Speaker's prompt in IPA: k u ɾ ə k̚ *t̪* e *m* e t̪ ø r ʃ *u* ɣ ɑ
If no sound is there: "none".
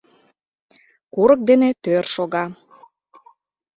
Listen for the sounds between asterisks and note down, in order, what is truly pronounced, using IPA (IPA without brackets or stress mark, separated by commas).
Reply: d̪, n, o